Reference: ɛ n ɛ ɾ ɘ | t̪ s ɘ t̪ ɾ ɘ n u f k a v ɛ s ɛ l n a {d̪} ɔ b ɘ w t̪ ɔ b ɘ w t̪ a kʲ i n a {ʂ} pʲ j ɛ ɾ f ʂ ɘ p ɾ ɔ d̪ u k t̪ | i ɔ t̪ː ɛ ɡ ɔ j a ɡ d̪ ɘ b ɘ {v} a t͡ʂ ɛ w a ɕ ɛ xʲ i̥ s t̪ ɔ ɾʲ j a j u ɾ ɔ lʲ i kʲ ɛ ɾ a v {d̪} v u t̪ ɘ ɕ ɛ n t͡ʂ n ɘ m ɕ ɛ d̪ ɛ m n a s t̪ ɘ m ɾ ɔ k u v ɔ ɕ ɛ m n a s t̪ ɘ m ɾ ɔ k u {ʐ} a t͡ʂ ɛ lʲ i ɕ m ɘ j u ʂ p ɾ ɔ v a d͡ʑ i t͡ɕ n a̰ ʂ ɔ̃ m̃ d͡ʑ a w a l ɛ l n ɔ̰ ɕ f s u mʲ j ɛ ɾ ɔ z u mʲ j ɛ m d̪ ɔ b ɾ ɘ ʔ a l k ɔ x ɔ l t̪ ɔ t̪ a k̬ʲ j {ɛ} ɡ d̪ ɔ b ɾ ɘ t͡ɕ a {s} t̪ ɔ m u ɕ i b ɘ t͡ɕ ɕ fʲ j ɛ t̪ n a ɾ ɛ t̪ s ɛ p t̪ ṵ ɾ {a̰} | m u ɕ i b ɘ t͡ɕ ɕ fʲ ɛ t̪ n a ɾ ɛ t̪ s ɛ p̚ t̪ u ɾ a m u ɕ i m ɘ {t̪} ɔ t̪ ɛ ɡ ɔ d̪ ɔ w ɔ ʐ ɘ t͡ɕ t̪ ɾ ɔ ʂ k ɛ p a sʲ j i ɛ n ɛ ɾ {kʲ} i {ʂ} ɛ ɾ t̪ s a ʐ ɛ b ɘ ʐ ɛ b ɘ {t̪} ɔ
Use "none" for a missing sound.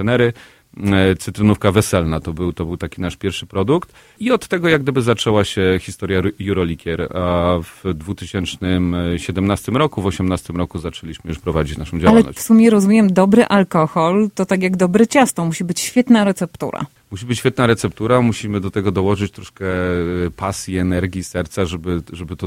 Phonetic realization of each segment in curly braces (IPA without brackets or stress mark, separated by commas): t̪, ʂ, z, d̪, z, a, s, a̰, d̪, ɡʲ, s, t̪